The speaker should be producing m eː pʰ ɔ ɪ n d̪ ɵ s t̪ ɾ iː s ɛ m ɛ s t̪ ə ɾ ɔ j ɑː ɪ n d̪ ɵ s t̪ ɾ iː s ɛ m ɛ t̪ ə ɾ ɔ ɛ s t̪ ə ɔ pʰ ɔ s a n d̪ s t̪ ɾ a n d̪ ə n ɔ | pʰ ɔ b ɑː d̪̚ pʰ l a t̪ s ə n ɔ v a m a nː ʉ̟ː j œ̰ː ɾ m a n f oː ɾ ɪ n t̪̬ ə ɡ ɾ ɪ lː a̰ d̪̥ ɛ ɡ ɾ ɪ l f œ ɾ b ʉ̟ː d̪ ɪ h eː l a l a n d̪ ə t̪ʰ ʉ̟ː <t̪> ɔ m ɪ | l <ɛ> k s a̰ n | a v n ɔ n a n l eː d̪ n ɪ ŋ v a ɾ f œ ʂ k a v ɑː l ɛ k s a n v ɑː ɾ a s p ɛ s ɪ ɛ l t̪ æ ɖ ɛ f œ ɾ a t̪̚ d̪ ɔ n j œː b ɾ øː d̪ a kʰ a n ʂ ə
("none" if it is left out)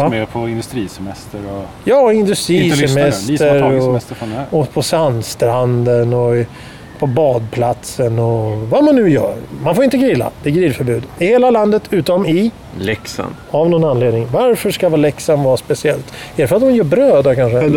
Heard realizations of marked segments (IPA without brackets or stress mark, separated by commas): t̪, ɛ